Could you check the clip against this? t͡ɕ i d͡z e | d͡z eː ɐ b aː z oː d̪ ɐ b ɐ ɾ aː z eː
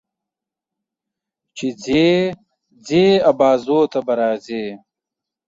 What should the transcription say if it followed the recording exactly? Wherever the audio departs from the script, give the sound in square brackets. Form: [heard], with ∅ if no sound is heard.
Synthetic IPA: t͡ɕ i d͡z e | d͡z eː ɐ b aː z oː [t̪] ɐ b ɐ ɾ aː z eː